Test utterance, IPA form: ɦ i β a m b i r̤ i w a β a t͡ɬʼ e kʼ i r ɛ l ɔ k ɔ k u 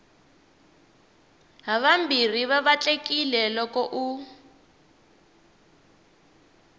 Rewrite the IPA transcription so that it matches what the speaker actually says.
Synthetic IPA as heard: ɦ a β a m b i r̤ i β a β a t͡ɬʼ e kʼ i l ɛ l ɔ k ɔ ʔ u